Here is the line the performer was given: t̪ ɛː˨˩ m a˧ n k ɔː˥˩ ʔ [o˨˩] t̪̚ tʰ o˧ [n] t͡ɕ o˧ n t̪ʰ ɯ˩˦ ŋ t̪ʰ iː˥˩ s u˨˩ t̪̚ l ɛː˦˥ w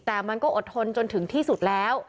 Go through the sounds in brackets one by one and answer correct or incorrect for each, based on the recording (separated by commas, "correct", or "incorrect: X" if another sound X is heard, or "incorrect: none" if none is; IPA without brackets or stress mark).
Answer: correct, correct